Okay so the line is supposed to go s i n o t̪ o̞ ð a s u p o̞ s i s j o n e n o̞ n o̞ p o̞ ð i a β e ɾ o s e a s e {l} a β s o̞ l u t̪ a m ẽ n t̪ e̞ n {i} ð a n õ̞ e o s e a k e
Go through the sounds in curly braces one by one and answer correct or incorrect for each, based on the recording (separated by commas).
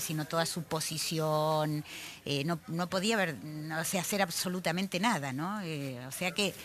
incorrect, incorrect